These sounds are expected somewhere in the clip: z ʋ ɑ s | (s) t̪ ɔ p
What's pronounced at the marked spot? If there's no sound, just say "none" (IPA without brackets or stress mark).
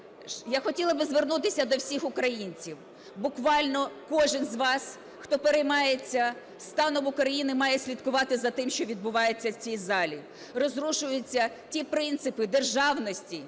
x